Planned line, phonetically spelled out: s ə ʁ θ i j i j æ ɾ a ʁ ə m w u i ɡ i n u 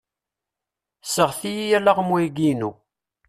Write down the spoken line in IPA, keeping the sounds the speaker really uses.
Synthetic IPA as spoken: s ə ʁ θ i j i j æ l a ʁ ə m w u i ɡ i n u

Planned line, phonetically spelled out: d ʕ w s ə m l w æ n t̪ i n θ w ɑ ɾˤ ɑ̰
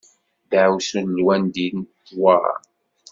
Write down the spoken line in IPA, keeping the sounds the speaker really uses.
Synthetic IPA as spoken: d ʕ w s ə n l w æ n d̪ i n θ w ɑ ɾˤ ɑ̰

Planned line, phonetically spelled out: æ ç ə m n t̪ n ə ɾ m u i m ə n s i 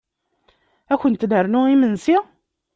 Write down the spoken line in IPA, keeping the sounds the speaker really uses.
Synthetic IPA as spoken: æ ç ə n t̪ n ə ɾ n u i m ə n s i

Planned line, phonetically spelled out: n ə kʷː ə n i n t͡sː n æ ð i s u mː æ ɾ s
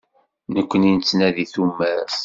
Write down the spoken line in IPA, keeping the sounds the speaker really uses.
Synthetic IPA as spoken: n ə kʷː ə n i n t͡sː n æ ð i θ u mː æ ɾ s

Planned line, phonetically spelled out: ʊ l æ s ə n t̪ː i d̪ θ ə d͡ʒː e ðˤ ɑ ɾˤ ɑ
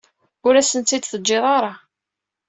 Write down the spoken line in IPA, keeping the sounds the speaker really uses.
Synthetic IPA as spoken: ʊ ɾ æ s ə n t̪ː i d̪ θ ə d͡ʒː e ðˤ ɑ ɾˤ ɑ

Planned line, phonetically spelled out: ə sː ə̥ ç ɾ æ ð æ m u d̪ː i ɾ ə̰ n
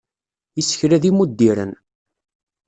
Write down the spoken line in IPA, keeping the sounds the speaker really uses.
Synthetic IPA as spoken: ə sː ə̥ ç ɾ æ ð i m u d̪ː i ɾ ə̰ n

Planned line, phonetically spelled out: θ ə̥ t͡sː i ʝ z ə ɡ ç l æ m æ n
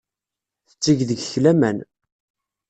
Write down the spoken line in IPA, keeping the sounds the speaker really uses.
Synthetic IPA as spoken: θ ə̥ t͡sː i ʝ ð ə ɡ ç l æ m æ n

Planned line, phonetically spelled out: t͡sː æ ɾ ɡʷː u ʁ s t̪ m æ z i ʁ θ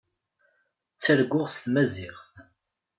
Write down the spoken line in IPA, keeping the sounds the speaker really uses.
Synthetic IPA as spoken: t͡sː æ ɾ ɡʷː ʊ ʁ s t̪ m æ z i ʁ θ

